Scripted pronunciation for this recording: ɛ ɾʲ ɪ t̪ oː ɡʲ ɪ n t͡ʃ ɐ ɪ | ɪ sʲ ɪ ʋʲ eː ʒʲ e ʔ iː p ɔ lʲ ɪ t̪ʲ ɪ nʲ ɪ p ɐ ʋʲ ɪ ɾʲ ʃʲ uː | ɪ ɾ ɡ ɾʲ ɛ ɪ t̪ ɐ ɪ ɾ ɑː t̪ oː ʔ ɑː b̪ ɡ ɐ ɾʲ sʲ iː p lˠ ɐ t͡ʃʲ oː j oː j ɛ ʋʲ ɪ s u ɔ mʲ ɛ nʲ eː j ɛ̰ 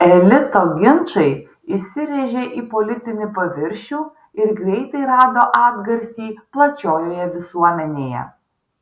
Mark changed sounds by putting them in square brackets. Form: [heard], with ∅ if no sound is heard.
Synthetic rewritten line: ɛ [lʲ] ɪ t̪ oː ɡʲ ɪ n t͡ʃ ɐ ɪ | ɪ sʲ ɪ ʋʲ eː ʒʲ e ʔ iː p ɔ lʲ ɪ t̪ʲ ɪ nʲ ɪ p ɐ ʋʲ ɪ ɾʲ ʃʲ uː | ɪ ɾ ɡ ɾʲ ɛ ɪ t̪ ɐ ɪ ɾ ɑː [d̪] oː ʔ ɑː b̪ ɡ ɐ ɾʲ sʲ iː p lˠ ɐ t͡ʃʲ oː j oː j ɛ ʋʲ ɪ s u ɔ mʲ ɛ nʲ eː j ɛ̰